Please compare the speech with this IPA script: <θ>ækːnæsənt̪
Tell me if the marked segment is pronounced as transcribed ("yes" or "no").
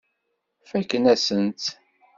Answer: no